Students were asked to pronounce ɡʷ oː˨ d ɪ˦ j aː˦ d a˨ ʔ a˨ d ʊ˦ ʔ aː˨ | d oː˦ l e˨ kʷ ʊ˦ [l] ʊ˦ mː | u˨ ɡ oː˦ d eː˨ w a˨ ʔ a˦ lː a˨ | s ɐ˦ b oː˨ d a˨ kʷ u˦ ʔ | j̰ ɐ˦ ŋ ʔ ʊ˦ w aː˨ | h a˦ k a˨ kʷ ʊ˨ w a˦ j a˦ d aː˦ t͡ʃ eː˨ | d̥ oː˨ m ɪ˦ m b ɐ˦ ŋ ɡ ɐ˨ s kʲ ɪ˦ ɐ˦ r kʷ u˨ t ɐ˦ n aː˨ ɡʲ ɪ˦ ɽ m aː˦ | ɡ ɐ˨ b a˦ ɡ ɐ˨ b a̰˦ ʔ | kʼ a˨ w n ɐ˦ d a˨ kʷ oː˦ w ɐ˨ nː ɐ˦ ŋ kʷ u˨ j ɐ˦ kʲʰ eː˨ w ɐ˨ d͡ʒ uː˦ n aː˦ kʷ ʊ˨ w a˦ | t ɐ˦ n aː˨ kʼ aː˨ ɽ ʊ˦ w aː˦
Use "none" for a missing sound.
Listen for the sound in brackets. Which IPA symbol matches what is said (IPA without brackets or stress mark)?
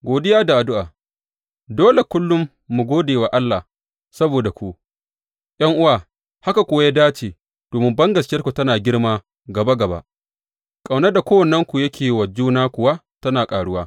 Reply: lː